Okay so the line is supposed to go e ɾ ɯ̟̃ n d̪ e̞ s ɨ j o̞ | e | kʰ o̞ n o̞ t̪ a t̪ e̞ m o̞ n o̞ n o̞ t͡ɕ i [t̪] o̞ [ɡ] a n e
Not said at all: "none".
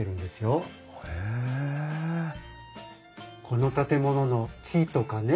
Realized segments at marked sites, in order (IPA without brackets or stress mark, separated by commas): t̪, k